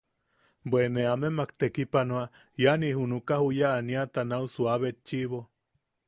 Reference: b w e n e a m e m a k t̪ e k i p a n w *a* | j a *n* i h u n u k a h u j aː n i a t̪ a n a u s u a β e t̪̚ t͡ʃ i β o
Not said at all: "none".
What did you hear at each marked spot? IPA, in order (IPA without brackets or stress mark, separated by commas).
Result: a, n